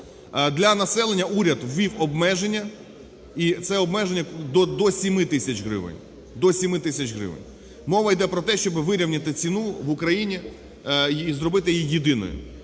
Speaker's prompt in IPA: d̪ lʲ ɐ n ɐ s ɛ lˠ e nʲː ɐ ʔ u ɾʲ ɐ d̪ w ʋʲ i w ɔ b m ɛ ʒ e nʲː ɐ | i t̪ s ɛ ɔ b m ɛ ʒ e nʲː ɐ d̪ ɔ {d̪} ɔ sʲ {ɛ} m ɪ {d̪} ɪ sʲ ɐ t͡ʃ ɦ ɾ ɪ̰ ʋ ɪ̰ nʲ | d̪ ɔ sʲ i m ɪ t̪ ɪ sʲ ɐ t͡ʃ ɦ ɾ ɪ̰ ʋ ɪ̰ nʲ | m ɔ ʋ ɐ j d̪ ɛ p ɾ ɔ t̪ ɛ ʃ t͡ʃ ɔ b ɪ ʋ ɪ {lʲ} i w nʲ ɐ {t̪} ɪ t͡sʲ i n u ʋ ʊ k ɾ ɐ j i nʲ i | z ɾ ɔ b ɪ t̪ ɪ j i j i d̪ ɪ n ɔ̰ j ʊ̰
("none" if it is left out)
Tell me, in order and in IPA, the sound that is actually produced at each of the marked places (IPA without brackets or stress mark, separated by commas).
d̪, i, t̪, ɾʲ, t̪